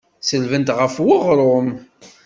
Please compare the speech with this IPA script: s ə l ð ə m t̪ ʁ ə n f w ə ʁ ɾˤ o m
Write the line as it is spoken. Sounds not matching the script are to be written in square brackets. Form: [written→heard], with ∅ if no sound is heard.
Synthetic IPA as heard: s ə l [ð→v] ə [m→n] t̪ ʁ ə [n→∅] f w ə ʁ ɾˤ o m